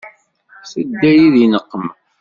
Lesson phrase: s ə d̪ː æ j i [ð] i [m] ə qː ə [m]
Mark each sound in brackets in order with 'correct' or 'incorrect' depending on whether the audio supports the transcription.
correct, incorrect: n, correct

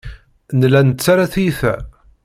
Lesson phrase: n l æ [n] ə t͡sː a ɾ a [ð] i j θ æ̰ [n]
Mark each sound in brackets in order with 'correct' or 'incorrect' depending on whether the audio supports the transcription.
correct, incorrect: θ, incorrect: none

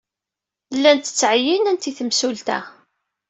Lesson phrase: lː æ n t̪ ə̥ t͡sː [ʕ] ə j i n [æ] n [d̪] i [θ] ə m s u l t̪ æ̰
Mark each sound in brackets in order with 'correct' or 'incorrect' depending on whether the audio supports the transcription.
correct, correct, incorrect: t̪, correct

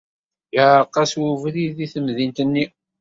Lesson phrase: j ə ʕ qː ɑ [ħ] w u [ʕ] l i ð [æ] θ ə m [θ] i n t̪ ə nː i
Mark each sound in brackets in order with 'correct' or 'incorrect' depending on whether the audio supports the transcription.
incorrect: s, incorrect: v, incorrect: i, incorrect: ð

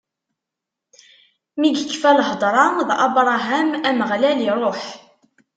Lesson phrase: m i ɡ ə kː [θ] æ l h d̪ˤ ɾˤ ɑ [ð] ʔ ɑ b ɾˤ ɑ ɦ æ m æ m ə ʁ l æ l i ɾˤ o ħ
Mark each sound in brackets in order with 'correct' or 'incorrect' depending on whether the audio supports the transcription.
incorrect: f, correct

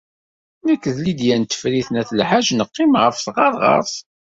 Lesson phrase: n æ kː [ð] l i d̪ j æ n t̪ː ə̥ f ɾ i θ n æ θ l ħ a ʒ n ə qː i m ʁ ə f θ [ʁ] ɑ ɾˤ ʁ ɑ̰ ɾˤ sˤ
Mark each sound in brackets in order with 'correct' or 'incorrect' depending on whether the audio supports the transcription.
correct, correct

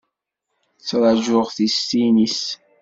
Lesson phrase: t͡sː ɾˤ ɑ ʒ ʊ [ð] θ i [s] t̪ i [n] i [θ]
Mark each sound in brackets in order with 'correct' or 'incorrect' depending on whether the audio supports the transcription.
incorrect: ʁ, correct, correct, incorrect: s

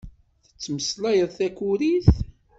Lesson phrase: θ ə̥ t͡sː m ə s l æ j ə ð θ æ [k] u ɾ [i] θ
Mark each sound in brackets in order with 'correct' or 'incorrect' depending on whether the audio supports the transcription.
correct, correct

